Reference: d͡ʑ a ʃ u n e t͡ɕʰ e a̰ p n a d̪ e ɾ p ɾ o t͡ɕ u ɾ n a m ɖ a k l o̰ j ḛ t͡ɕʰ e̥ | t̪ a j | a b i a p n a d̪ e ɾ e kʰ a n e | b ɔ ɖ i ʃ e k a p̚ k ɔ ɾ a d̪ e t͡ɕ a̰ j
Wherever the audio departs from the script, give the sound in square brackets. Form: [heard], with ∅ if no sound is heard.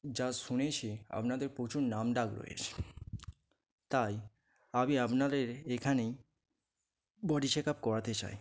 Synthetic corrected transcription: d͡ʑ a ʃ u n e t͡ɕʰ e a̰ p n a d̪ e ɾ p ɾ o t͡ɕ u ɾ n a m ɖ a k [ɾ] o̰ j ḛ t͡ɕʰ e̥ | t̪ a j | a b i a p n a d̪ e ɾ e kʰ a n e | b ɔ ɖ i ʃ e k a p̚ k ɔ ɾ a [t̪] e t͡ɕ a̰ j